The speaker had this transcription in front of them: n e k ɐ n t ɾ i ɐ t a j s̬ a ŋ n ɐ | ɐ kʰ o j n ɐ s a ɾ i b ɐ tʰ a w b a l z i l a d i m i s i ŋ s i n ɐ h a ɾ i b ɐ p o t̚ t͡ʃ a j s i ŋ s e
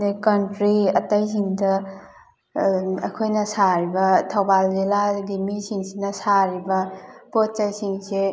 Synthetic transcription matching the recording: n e k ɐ n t ɾ i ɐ t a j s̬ i ŋ d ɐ | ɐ kʰ o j n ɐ s a ɾ i b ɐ tʰ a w b a l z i l a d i m i s i ŋ s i n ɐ s a ɾ i b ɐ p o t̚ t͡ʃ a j s i ŋ s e